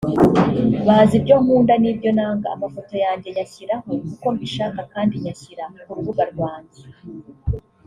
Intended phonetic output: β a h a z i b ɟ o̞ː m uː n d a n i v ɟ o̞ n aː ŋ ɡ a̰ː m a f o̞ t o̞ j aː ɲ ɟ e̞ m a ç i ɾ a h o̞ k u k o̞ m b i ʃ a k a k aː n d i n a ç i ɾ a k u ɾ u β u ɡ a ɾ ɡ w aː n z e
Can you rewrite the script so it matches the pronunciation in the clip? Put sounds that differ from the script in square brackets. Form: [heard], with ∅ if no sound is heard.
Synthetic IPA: β a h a z i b ɟ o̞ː m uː n d a n i [b] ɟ o̞ n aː ŋ ɡ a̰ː m a f o̞ t o̞ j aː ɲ ɟ e̞ [ɲ] a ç i ɾ a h o̞ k u k o̞ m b i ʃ a k a k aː n d i [ɲ] a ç i ɾ a k u ɾ u β u ɡ a ɾ ɡ w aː [ɲ] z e